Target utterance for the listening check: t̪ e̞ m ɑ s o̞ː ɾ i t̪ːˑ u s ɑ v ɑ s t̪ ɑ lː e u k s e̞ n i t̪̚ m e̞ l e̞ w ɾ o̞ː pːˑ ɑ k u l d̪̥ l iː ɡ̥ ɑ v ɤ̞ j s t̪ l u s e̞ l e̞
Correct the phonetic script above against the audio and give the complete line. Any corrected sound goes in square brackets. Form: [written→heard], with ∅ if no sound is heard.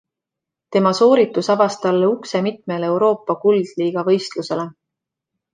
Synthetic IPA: t̪ e̞ m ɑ s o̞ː ɾ i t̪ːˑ u s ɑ v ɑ s t̪ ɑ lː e u k s e̞ [n→m] i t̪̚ m e̞ l e̞ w ɾ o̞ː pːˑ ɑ k u l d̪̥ l iː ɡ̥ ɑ v ɤ̞ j s t̪ l u s e̞ l e̞